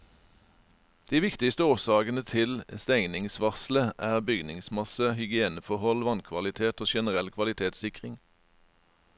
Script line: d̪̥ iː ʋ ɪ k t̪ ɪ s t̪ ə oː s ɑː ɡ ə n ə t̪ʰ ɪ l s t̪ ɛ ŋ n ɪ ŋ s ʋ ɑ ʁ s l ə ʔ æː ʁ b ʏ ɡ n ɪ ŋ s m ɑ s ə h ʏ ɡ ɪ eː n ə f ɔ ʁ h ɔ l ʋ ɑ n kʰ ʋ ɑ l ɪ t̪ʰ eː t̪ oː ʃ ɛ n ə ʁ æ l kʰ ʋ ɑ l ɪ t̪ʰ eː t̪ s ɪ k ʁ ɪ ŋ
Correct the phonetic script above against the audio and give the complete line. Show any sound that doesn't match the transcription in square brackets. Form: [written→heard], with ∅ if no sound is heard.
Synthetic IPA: d̪̥ iː ʋ ɪ k t̪ ɪ s t̪ ə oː s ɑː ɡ ə n ə t̪ʰ ɪ l s t̪ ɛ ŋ n ɪ ŋ s ʋ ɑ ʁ s l ə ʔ æː ʁ b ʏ ɡ n ɪ ŋ s m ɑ s ə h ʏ ɡ ɪ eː n ə f ɔ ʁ h ɔ l ʋ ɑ n kʰ ʋ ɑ l ɪ t̪ʰ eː t̪ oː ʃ ɛ n ə ʁ [æ→ɛ] l kʰ ʋ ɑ l ɪ t̪ʰ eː t̪ s ɪ k ʁ ɪ ŋ